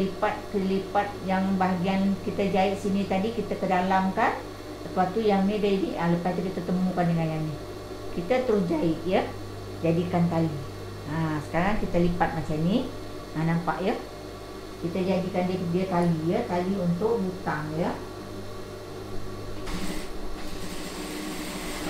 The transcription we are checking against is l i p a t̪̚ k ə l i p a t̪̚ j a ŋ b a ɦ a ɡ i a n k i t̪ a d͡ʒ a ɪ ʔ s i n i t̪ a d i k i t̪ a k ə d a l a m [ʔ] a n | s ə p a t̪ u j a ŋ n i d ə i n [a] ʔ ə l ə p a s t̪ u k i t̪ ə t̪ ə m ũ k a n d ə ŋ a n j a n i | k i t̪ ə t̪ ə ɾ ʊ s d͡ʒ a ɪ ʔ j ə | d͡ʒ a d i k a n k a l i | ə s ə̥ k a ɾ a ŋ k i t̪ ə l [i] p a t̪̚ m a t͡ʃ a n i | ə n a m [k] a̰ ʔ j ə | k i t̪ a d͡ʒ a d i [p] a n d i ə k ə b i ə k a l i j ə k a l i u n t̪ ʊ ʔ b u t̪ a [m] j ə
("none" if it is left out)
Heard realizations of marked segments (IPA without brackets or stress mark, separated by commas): k, i, i, p, k, ŋ